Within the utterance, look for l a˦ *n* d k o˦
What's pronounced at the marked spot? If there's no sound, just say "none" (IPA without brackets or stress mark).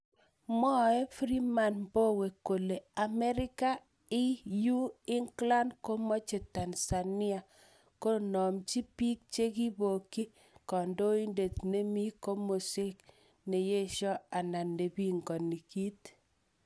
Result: n